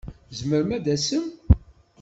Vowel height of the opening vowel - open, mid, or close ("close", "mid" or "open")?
mid